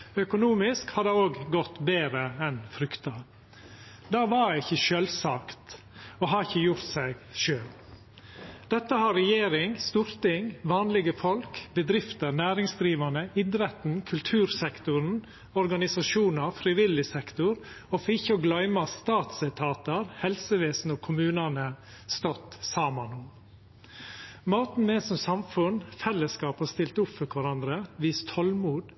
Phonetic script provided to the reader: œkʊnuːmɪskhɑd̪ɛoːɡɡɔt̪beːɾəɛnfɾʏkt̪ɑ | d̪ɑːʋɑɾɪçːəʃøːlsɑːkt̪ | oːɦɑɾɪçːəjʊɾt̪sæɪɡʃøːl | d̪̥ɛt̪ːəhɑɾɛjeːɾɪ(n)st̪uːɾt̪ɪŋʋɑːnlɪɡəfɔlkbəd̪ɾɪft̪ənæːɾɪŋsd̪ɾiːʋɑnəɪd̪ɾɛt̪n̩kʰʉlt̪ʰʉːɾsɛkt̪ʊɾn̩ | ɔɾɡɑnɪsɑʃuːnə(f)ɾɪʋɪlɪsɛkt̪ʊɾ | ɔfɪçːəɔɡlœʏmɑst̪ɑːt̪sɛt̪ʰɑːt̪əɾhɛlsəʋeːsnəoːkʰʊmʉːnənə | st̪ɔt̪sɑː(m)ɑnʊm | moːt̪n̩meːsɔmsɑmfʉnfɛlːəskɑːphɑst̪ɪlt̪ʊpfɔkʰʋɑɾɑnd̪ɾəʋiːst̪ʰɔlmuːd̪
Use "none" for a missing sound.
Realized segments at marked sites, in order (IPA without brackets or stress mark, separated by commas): ŋ, f, m